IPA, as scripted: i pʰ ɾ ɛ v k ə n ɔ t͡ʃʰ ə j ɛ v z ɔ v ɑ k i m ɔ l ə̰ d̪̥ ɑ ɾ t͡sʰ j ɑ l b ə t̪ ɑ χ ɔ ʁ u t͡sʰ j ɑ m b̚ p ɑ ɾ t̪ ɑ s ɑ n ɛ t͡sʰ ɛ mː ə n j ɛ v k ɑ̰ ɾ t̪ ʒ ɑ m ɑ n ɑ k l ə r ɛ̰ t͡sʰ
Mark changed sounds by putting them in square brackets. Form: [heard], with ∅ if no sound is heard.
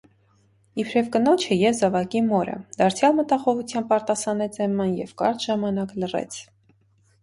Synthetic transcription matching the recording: i pʰ ɾ ɛ v k ə n ɔ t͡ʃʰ ə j ɛ v z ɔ v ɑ k i m ɔ [ɾ] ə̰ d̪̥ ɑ ɾ t͡sʰ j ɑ l [m] ə t̪ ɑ χ ɔ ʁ u t͡sʰ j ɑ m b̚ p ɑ ɾ t̪ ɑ s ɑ n ɛ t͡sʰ ɛ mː [ɑ] n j ɛ v k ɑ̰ ɾ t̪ ʒ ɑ m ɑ n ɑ k l ə r ɛ̰ t͡sʰ